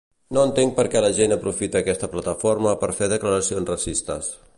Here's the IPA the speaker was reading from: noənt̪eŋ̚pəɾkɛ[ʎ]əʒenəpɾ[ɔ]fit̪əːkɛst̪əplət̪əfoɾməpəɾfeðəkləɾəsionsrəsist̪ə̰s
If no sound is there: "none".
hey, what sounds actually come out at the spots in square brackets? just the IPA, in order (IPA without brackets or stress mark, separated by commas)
l, u